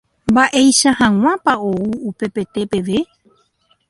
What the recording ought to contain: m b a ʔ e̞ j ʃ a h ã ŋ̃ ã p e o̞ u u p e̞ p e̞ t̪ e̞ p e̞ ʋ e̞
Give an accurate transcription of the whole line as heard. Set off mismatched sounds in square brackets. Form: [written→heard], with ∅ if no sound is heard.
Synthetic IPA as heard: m b a ʔ e̞ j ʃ a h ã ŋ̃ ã p [e→a] o̞ u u p e̞ p e̞ t̪ e̞ p e̞ ʋ e̞

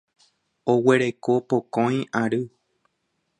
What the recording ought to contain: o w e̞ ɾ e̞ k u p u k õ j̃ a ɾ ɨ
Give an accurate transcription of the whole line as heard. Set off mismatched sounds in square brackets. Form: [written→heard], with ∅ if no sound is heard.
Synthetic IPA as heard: o w e̞ ɾ e̞ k [u→o] p [u→o] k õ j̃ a ɾ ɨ

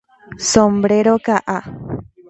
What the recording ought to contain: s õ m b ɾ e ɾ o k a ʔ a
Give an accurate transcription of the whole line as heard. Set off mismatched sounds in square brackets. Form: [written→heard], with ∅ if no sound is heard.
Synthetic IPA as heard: s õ m b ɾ e ɾ o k a ʔ a

